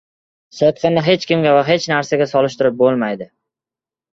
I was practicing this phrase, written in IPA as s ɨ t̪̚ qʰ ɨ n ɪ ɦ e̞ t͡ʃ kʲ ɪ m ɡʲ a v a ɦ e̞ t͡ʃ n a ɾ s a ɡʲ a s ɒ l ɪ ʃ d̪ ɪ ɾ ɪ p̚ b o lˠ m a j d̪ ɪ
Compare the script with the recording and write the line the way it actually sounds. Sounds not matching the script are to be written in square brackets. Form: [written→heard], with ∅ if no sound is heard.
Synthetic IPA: s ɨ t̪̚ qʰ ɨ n ɪ ɦ e̞ t͡ʃ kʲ ɪ m ɡʲ a v a ɦ e̞ t͡ʃ n a ɾ s a ɡʲ a s ɒ l ɪ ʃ [d̪→t̪] ɪ ɾ ɪ p̚ b o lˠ m a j d̪ ɪ